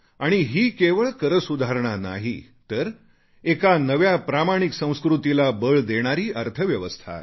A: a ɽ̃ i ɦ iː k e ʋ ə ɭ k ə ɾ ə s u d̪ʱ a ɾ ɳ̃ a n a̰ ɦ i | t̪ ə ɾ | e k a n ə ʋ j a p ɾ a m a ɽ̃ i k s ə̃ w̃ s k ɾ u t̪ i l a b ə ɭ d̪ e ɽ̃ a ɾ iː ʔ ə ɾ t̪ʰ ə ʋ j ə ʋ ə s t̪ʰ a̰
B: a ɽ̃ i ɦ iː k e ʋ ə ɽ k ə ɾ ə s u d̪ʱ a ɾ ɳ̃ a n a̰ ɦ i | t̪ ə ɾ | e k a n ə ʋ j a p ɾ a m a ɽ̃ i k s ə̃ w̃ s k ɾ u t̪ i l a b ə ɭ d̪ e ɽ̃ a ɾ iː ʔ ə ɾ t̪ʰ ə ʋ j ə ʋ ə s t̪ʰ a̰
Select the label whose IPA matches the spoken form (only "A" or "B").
A